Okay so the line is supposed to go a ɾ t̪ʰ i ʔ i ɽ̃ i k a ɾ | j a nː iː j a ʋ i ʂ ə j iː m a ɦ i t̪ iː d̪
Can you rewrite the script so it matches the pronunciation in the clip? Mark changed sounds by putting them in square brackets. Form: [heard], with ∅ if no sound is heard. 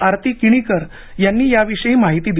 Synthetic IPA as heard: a ɾ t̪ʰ i [k] i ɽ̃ i k [ə] ɾ | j a nː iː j a ʋ i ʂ ə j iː m a ɦ i t̪ iː d̪